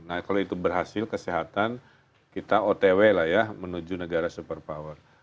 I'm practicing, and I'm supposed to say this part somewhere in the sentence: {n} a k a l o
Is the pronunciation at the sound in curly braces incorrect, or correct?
correct